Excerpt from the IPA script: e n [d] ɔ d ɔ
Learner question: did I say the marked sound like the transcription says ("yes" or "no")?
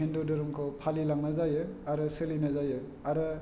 yes